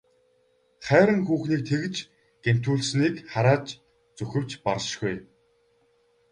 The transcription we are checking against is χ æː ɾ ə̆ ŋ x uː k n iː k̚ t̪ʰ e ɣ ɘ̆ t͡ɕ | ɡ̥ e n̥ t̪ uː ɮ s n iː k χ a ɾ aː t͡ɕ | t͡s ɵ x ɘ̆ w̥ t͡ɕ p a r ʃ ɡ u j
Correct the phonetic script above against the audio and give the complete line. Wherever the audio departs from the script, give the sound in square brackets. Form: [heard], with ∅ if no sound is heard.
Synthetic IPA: χ æː ɾ ə̆ ŋ x uː [x] n iː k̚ t̪ʰ e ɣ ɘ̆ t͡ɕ | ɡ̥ e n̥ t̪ uː ɮ s n iː k χ a ɾ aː t͡ɕ | t͡s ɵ x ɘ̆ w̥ t͡ɕ p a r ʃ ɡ u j